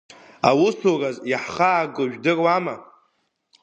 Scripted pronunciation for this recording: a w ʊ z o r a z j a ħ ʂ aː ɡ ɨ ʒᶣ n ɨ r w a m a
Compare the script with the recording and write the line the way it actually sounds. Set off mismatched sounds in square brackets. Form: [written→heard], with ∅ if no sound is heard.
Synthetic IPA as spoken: a w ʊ [z→s] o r a z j a ħ [ʂ→χ] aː ɡ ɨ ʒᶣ [n→d] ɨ r w a m a